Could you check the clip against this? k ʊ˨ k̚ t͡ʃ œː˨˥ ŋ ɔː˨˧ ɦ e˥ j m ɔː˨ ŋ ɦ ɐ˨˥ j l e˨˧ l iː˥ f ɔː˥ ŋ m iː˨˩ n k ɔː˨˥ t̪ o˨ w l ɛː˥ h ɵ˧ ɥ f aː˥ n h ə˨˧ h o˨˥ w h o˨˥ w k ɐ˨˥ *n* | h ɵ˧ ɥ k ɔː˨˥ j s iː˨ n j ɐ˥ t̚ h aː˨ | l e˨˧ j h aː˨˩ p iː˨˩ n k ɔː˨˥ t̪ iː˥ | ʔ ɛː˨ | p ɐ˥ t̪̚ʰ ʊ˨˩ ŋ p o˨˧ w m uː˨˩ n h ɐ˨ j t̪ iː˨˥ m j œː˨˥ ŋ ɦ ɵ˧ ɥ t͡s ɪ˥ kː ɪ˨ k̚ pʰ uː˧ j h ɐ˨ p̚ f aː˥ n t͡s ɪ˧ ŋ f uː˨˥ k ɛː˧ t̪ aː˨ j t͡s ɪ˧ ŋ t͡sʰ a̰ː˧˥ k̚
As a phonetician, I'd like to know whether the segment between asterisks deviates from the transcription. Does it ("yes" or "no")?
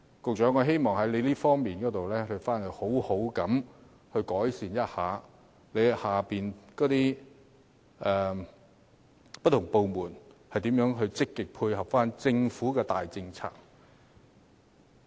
yes